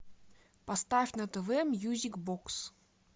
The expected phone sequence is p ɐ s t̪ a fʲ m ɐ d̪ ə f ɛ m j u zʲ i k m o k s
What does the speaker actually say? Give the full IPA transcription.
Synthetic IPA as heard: p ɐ s t̪ a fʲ n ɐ t̪ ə v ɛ m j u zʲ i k b o k s